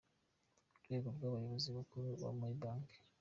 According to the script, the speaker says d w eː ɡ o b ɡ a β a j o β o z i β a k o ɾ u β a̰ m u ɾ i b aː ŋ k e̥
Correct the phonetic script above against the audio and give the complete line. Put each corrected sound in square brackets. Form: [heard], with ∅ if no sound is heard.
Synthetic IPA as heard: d w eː ɡ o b ɡ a β a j o β o z i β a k [u] ɾ u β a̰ m u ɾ i b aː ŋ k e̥